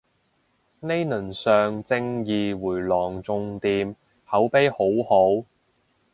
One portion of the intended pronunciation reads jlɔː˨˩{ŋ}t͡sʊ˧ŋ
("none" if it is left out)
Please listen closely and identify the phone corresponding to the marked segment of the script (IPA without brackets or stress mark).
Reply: ŋ